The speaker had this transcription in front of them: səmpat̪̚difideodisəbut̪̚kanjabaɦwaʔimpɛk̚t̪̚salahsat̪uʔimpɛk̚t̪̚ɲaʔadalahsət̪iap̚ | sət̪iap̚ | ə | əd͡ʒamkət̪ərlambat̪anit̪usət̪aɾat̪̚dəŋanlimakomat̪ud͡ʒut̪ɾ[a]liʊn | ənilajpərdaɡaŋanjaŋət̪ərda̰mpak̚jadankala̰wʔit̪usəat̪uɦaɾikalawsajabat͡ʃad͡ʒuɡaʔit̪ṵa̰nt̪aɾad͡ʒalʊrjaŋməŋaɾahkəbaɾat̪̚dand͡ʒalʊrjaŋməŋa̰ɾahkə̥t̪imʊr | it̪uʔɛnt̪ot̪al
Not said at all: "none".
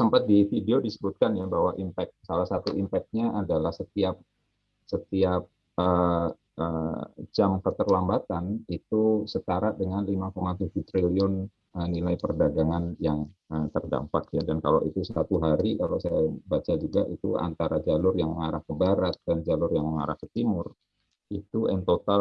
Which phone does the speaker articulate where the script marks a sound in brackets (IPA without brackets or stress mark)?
i